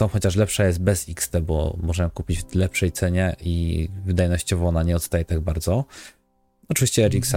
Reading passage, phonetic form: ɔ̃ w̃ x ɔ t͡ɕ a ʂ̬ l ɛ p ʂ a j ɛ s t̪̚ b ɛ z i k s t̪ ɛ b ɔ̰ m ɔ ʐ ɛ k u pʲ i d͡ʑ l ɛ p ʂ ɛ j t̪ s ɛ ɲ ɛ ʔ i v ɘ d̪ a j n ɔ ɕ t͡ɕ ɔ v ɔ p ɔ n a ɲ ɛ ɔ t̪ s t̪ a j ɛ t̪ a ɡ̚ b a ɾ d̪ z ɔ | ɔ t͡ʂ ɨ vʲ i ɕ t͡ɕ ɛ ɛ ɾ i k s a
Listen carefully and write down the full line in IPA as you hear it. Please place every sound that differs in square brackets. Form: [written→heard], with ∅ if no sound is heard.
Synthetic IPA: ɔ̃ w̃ x ɔ t͡ɕ a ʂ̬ l ɛ p ʂ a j ɛ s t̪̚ b ɛ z i k s t̪ ɛ b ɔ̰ m ɔ ʐ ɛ k u pʲ i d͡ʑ l ɛ p ʂ ɛ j t̪ s ɛ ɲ ɛ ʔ i v ɘ d̪ a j n ɔ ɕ t͡ɕ ɔ v ɔ [p→∅] ɔ n a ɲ ɛ ɔ t̪ s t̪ a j ɛ t̪ a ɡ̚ b a ɾ d̪ z ɔ | ɔ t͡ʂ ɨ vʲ i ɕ t͡ɕ ɛ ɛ ɾ i k s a